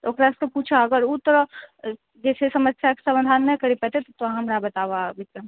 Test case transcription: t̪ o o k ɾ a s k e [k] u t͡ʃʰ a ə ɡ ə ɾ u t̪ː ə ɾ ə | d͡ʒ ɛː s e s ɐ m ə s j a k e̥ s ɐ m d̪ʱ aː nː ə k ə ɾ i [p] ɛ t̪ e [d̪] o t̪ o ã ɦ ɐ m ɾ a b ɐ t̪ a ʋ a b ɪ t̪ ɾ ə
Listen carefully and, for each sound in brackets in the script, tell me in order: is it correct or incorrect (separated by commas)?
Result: incorrect, correct, incorrect